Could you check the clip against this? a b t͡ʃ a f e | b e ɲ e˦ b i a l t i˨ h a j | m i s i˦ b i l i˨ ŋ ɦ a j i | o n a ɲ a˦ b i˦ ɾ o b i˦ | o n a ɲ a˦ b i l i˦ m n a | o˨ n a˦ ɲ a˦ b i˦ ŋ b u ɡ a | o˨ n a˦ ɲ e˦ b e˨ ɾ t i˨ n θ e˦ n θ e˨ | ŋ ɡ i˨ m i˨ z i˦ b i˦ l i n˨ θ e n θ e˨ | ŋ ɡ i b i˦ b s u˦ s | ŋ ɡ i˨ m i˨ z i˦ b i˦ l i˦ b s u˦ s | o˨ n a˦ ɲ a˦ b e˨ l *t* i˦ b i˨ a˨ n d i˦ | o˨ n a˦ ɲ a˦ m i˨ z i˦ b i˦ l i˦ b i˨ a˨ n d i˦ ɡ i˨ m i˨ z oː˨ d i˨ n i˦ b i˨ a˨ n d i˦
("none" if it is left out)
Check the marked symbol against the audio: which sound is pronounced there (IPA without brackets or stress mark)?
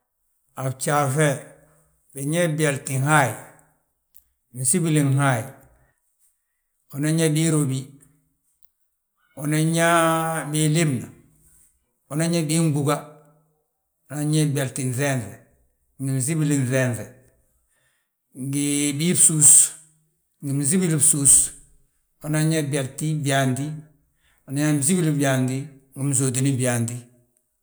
t